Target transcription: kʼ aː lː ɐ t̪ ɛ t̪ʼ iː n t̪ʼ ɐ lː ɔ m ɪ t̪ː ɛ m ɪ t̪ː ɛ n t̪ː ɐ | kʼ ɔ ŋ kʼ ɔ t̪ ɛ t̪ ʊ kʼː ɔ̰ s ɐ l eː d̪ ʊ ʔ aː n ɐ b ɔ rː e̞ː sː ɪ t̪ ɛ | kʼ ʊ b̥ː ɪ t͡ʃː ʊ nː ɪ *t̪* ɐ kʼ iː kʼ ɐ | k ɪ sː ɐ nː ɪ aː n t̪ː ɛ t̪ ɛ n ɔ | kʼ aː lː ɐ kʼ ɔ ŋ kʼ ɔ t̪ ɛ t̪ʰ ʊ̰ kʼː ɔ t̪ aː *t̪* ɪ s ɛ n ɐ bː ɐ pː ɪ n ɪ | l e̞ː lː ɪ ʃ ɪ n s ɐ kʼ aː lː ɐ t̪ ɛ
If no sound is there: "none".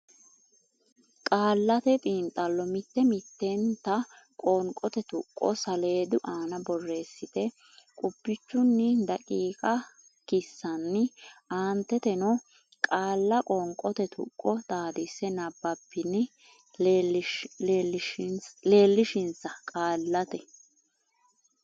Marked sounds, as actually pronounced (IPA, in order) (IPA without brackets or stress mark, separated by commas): d̪, d̪